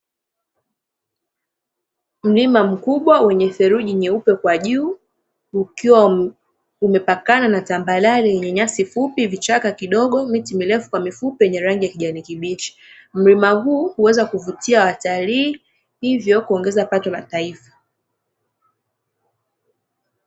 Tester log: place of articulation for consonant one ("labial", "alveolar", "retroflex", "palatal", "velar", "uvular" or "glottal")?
labial